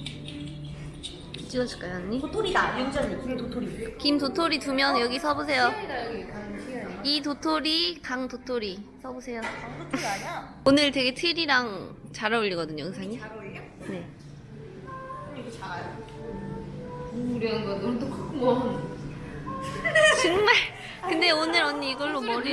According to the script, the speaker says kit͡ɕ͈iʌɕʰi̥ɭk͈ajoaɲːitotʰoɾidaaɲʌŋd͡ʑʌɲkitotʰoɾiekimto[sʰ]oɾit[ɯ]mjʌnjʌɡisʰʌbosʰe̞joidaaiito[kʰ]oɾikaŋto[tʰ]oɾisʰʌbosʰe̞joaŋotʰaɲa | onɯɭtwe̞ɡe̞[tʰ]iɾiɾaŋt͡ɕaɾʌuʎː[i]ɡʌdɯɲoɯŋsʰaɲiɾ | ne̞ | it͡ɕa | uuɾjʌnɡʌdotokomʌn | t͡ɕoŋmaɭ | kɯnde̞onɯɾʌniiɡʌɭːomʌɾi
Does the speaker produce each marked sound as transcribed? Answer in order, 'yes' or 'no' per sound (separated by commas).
no, no, no, yes, yes, yes